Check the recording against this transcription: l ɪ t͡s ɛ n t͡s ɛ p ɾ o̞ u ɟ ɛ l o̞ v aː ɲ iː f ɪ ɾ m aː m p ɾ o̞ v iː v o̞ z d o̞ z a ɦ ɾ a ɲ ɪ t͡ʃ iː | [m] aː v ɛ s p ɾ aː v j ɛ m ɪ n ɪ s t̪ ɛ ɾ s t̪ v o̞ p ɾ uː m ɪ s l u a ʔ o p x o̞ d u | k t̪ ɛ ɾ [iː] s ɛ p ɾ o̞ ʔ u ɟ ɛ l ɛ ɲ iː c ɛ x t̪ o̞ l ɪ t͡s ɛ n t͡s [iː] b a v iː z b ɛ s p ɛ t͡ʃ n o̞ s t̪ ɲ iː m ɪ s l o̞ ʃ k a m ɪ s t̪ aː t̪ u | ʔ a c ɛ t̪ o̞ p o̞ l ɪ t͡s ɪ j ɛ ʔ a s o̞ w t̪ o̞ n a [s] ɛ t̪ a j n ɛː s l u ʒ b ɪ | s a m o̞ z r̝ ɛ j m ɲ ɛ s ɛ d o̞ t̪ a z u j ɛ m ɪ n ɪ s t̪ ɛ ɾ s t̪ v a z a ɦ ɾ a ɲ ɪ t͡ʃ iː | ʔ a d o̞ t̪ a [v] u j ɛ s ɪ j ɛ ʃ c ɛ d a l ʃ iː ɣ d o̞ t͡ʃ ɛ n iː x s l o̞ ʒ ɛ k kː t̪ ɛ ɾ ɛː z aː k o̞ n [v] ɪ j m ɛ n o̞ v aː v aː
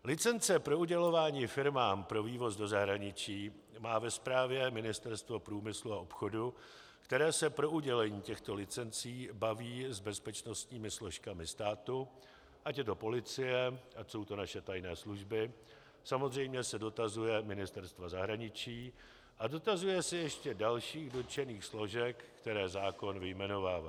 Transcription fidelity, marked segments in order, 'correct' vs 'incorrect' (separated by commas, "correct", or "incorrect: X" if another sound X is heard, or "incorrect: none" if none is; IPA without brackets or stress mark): correct, incorrect: ɛː, correct, incorrect: ʃ, incorrect: z, correct